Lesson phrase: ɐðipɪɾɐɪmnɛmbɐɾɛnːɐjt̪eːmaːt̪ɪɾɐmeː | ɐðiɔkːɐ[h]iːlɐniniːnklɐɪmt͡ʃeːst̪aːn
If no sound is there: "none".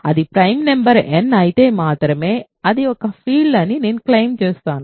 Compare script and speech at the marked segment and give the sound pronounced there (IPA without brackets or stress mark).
f